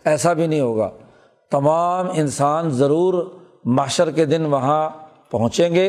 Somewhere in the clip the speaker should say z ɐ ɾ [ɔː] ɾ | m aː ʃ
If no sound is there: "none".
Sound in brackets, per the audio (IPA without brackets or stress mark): uː